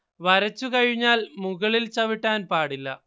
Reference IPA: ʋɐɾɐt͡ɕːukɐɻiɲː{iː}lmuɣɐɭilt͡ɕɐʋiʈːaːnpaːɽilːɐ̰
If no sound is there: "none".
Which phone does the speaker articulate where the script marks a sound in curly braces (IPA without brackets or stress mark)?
aː